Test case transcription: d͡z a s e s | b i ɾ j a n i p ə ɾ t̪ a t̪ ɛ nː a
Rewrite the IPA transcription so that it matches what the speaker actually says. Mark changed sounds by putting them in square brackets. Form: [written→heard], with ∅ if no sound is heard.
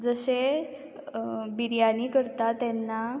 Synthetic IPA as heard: d͡z [a→ə] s e [s→∅] | b i ɾ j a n i [p→k] ə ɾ t̪ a t̪ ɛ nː a